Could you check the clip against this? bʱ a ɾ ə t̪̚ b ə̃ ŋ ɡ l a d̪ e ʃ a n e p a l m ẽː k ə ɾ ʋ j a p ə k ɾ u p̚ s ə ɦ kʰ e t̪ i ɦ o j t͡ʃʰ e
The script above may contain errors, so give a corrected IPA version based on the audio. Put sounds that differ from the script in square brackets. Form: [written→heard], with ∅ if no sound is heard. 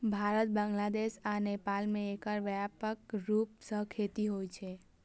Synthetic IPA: bʱ a ɾ ə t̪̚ b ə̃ ŋ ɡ l a d̪ e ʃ a n e p a l m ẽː k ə ɾ ʋ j a p ə k ɾ u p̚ s ə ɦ kʰ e t̪ i ɦ o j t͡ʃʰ e